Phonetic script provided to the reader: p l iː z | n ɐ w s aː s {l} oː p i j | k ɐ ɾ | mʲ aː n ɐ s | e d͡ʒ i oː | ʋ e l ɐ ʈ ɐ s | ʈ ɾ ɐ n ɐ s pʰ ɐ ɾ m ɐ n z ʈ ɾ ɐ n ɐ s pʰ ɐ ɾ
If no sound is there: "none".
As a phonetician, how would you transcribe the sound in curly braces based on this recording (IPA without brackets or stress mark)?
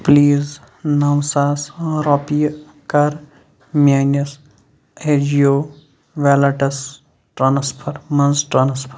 ɾ